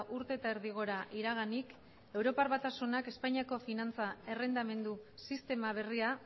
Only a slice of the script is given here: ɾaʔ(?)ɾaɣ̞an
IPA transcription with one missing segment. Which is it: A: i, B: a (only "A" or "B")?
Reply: A